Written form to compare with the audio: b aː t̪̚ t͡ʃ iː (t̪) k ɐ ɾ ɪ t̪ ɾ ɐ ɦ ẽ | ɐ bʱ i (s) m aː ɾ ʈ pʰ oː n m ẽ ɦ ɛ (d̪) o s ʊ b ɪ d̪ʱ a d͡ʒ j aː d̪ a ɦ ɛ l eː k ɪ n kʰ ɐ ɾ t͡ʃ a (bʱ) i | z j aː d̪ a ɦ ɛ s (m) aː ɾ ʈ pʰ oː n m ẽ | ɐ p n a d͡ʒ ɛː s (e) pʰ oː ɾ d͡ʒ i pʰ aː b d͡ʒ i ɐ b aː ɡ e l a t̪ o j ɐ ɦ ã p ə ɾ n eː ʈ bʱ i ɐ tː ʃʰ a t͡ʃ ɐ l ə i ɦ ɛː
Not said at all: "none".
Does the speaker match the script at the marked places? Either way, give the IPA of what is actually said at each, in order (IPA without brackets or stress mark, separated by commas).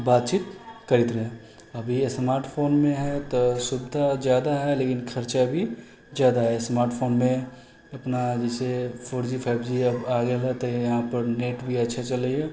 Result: t̪, s, t̪, bʱ, m, e